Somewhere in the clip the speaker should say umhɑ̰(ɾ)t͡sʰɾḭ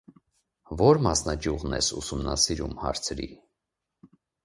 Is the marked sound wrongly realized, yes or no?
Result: no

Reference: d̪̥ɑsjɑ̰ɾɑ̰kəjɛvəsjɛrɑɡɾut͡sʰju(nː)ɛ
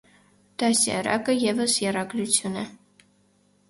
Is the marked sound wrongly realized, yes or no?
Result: yes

